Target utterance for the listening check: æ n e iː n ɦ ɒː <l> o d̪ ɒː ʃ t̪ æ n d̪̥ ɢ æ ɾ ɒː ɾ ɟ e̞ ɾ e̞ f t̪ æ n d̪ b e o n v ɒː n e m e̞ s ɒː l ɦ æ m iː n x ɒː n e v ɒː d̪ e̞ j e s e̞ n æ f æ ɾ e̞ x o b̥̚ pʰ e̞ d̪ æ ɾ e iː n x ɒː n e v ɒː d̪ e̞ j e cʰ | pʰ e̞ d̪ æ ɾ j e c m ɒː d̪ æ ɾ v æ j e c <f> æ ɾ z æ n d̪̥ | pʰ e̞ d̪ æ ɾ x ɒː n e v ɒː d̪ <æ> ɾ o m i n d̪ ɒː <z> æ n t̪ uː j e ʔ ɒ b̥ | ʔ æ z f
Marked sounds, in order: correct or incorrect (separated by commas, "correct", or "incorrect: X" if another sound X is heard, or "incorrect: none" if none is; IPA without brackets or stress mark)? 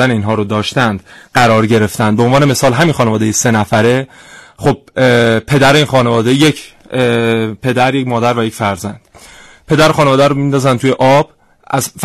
incorrect: ɾ, correct, correct, correct